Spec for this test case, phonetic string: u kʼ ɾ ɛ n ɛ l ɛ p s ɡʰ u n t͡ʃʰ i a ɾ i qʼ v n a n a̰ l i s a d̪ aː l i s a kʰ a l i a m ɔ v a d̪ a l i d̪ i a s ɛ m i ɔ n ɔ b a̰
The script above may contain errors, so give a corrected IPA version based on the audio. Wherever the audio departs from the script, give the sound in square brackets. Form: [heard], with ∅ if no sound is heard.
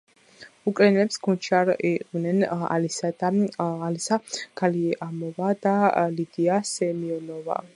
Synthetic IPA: u kʼ ɾ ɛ n ɛ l ɛ p s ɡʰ u n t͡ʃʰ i a ɾ i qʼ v n [ɛ] n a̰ l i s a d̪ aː l i s a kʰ a l i a m ɔ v a d̪ a l i d̪ i a s ɛ m i ɔ n ɔ [v] a̰